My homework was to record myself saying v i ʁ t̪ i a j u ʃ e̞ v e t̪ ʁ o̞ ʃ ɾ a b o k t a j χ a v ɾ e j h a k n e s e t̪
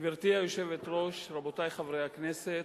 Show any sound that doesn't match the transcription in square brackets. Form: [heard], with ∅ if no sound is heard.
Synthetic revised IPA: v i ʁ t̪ i a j [o] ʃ e̞ v e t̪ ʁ o̞ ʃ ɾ a b o [∅] t a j χ a v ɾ e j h a k n e s e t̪

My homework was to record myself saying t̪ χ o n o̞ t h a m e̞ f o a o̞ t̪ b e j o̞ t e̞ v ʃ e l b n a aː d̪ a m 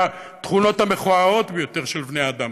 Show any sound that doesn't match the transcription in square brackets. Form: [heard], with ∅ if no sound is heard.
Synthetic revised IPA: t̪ χ [u] n o̞ t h a m e̞ [χ] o a o̞ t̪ b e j o̞ t e̞ [ʁ] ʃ e l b n [e] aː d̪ a m

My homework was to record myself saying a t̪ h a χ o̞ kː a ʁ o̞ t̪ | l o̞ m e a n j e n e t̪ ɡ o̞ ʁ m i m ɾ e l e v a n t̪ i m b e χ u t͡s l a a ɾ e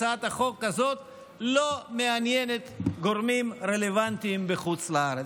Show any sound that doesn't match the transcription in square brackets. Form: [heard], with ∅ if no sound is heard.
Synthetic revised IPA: a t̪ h a χ o̞ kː a [z] o̞ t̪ | l o̞ m e a n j e n e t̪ ɡ o̞ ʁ m i m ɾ e l e v a n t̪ i m b e χ u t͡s l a a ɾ e

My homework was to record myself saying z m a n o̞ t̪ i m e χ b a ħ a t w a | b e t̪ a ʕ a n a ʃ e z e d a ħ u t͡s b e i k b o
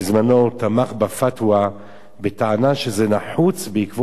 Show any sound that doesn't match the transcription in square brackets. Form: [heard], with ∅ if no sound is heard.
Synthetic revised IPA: z m a n o̞ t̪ [a] m [a] χ b a [f] a t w a | b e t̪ a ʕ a n a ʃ e z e [n] a ħ u t͡s b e i k [v] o

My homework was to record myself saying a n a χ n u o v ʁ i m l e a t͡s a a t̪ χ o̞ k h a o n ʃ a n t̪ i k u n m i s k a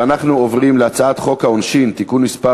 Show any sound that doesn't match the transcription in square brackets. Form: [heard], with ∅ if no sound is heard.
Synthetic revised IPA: a n a χ n u o v ʁ i m l e a t͡s a a t̪ χ o̞ k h a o n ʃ [i] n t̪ i k u n m i s [p] a

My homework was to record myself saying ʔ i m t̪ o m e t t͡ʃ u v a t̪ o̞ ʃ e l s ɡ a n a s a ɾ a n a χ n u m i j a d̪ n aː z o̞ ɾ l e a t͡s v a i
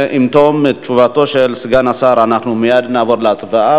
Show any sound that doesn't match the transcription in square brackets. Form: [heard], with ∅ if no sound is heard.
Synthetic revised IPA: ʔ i m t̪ o m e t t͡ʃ u v a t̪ o̞ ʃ e l s ɡ a n a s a ɾ a n a χ n u m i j a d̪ n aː [v] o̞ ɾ l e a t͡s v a [a]

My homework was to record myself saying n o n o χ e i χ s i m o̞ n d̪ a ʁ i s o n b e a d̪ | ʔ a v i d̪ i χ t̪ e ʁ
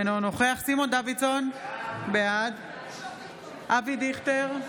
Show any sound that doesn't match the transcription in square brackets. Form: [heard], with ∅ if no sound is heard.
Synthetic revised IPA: n o n o χ e [a] χ s i m o̞ n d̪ a [v] i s o n b e a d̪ | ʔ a v i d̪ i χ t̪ e ʁ

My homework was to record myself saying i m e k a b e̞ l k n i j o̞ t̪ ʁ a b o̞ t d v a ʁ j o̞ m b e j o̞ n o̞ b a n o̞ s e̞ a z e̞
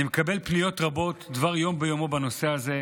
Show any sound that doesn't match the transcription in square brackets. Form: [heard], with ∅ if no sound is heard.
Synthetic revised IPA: i m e k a b e̞ l [p] n i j o̞ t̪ ʁ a b o̞ t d v a ʁ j o̞ m b e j o̞ [m] o̞ b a n o̞ s e̞ a z e̞

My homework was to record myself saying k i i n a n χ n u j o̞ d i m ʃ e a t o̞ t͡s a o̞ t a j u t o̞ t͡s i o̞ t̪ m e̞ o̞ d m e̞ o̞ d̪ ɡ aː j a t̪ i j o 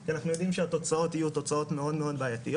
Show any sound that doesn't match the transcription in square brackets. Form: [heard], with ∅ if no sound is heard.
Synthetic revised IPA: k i [a] n a [∅] χ n u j o̞ d i m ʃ e a t o̞ t͡s a o̞ t [i] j u t o̞ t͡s [a] o̞ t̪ m e̞ o̞ d m e̞ o̞ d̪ [b] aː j a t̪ i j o

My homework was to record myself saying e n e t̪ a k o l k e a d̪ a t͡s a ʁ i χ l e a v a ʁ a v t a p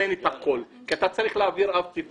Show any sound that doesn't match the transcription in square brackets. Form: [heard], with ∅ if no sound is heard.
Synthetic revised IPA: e n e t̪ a k o l k [i] a [t̪] a t͡s a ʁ i χ l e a v [i] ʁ a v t [i] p

